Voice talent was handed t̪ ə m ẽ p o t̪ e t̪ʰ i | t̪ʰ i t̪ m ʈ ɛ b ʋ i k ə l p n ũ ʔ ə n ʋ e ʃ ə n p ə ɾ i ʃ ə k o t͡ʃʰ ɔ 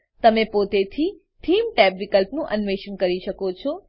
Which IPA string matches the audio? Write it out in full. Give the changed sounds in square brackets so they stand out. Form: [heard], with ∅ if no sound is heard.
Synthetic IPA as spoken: t̪ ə m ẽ p o t̪ e t̪ʰ i | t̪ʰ i [∅] m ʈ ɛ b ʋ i k ə l p n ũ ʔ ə n ʋ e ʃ ə n [k] ə ɾ i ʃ ə k o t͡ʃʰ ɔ